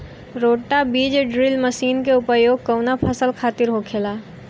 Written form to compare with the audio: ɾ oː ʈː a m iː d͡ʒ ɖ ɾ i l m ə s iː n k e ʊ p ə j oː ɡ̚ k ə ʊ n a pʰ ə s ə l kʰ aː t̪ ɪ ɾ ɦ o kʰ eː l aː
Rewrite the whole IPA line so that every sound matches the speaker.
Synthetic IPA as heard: ɾ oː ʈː a b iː d͡ʒ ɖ ɾ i l m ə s iː n k e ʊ p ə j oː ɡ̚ k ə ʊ n a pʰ ə s ə l kʰ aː t̪ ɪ ɾ ɦ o kʰ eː l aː